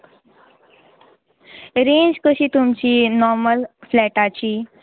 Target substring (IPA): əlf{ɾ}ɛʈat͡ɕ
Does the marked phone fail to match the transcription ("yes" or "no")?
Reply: yes